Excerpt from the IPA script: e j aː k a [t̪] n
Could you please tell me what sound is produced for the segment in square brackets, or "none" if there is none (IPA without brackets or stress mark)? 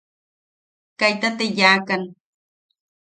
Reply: none